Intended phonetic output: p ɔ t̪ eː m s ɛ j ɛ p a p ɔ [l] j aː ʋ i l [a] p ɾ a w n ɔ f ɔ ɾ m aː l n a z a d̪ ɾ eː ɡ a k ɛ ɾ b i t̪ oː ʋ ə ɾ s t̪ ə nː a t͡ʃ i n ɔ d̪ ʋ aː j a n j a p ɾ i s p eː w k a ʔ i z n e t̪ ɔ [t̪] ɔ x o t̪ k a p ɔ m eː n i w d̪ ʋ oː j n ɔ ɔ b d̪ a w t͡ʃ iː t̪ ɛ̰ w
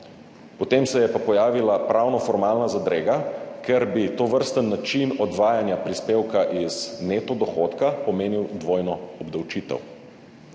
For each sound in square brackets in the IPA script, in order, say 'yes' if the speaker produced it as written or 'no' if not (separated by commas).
no, yes, no